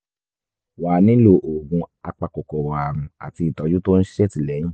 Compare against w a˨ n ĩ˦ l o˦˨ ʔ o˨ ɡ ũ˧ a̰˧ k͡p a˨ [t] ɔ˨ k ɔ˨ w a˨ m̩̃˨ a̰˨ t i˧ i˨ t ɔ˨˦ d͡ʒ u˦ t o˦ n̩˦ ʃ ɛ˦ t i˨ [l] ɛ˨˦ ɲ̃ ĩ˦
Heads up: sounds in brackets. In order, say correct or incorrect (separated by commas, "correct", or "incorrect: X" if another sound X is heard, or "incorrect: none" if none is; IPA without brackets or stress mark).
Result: incorrect: k, correct